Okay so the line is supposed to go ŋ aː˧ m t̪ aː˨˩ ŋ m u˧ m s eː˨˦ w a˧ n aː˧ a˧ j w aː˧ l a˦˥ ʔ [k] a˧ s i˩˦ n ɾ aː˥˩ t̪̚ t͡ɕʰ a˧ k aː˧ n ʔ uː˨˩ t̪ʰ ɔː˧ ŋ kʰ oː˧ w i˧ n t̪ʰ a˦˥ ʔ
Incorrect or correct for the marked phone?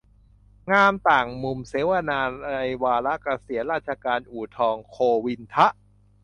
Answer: correct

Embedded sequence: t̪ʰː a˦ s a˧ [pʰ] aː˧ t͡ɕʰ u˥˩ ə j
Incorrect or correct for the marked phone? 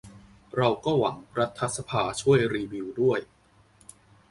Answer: correct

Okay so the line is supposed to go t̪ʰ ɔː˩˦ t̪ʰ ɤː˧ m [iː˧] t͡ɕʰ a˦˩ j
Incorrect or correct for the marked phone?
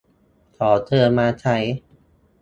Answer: incorrect: aː˧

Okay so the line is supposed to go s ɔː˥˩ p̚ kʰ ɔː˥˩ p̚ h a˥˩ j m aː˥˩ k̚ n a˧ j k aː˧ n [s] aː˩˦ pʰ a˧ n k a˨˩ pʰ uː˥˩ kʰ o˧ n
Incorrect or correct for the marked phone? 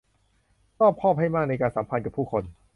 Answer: correct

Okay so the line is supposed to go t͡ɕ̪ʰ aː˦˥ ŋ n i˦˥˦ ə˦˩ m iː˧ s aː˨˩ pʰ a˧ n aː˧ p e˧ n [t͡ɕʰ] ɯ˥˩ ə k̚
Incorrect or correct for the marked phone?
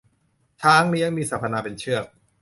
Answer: correct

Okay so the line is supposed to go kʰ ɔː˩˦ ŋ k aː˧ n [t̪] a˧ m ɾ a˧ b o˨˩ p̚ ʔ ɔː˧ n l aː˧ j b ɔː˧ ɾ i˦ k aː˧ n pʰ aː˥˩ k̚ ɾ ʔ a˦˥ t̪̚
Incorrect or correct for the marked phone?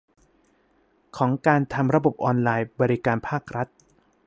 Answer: incorrect: t̪ʰ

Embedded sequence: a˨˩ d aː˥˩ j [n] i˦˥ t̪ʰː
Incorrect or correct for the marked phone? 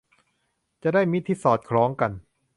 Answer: incorrect: m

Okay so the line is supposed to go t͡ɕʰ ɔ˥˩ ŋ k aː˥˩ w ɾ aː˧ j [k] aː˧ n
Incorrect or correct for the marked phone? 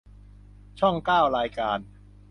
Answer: correct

